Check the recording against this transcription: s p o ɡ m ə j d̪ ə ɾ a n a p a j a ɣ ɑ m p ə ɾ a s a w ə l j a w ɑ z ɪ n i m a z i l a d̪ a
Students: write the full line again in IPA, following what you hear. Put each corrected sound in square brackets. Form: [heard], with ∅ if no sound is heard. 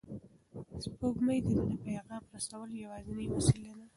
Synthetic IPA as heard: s p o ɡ m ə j d̪ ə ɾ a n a p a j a ɣ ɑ m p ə ɾ a s a w ə l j a w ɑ z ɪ n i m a [s] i l a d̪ a